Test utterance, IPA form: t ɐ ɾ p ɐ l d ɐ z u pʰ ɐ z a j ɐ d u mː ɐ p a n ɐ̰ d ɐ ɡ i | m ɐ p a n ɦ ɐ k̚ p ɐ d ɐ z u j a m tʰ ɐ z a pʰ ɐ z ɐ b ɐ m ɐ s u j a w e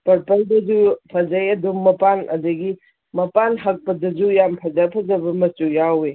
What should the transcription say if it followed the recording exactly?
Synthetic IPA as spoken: p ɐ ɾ p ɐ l d ɐ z u pʰ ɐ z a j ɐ d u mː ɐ p a n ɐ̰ d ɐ ɡ i | m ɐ p a n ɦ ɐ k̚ p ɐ d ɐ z u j a m pʰ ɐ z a pʰ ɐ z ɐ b ɐ m ɐ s u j a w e